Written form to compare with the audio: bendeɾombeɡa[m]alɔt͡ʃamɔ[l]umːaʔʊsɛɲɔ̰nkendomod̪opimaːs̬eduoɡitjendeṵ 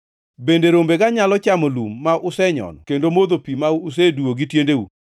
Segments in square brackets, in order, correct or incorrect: incorrect: ɲ, correct

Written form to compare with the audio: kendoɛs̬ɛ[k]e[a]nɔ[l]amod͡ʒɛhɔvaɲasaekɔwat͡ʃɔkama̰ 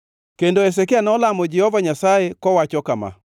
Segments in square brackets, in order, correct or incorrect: correct, correct, correct

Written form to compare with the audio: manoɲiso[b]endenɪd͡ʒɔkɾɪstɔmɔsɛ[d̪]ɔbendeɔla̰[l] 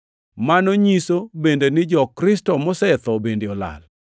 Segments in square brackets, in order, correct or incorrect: correct, incorrect: t̪, correct

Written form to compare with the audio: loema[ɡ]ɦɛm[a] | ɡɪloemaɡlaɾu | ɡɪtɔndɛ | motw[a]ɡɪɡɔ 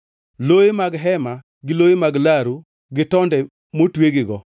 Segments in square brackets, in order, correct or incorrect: correct, correct, incorrect: e

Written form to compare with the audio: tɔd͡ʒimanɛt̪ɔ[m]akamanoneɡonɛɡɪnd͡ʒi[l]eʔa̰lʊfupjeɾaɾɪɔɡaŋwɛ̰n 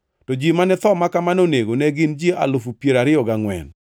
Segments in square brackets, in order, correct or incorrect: correct, incorrect: none

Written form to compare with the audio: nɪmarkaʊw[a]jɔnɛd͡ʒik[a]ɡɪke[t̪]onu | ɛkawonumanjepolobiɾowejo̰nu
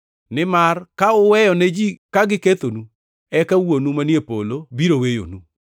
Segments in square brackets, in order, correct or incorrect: incorrect: ɛ, correct, correct

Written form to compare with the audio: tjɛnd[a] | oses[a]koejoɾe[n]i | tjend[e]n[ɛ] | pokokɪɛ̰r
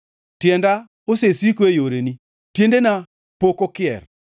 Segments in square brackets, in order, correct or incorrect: correct, incorrect: i, correct, correct, incorrect: a

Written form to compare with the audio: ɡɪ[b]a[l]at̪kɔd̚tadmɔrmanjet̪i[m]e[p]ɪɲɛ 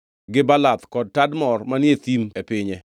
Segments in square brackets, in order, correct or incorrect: correct, correct, correct, correct

